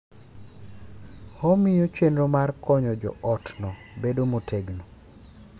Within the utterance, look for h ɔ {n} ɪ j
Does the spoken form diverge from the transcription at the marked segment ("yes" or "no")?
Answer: yes